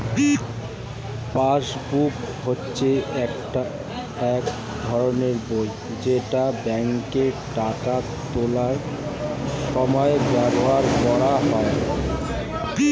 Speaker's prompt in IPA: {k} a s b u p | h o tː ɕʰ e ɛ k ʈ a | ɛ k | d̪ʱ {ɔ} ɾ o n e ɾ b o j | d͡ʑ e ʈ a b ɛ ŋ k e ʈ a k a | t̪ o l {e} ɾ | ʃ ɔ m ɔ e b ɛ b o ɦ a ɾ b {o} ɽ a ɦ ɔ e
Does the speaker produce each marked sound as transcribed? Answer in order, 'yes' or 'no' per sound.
no, yes, no, no

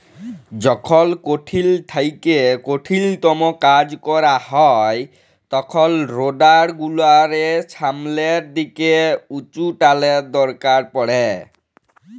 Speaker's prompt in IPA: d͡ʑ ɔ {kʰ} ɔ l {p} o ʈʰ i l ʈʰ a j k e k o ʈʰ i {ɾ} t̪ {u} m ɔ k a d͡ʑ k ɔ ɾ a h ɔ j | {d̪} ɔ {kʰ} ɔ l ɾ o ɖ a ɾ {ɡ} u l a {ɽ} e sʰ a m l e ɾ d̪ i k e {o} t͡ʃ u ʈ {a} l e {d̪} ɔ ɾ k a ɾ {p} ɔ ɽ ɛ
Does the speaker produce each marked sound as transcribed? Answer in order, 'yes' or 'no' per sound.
yes, no, no, no, no, yes, yes, no, no, yes, yes, yes

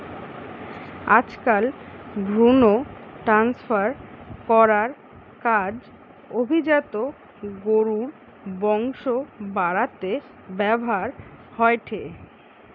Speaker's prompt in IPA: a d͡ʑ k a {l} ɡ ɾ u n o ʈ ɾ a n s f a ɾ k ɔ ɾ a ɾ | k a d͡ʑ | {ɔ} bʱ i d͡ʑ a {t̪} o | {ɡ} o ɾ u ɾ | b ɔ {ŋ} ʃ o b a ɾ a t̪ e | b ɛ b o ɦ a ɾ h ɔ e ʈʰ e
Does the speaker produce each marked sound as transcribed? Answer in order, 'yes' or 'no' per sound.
yes, no, yes, yes, yes

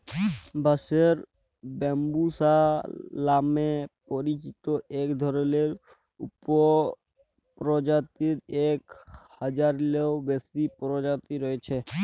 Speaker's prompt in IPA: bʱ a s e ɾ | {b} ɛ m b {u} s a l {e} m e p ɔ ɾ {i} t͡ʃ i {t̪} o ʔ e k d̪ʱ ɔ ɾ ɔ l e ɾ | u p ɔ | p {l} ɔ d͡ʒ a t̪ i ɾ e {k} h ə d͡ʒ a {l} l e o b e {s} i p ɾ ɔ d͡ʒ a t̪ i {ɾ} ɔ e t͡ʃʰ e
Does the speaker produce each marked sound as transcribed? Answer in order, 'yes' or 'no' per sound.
yes, yes, no, yes, yes, no, yes, no, yes, yes

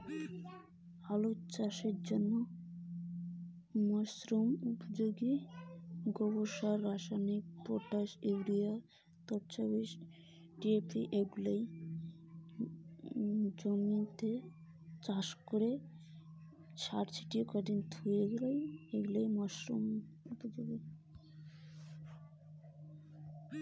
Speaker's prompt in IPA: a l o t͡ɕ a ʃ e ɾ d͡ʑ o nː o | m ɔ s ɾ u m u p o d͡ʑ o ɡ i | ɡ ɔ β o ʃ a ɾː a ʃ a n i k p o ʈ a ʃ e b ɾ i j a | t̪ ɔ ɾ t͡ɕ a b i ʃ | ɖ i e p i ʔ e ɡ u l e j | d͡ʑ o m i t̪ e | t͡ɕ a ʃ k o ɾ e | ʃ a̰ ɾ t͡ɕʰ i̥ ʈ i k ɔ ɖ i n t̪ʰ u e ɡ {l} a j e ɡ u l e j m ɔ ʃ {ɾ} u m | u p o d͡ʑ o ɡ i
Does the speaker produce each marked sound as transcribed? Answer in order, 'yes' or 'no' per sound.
yes, yes

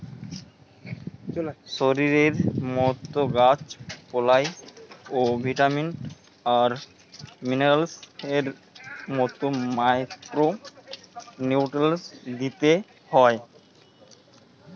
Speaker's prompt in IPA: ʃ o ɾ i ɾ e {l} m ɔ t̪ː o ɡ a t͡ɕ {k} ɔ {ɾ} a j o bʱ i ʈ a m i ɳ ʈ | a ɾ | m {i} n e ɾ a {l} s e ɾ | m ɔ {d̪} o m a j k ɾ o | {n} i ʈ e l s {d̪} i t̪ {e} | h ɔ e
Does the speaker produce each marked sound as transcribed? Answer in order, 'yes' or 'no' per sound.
no, no, no, yes, yes, no, yes, yes, yes

